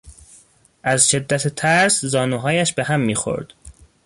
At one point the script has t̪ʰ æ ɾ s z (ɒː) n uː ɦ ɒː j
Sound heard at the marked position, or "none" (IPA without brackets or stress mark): ɒː